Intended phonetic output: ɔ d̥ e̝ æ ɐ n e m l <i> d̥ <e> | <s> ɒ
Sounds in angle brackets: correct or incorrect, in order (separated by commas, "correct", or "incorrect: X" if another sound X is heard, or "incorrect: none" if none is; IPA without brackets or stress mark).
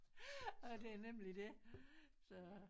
correct, correct, correct